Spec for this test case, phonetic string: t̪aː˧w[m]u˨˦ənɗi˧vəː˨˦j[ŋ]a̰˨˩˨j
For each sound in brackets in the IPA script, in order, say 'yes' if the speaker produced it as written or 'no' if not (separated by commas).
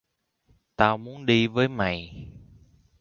yes, no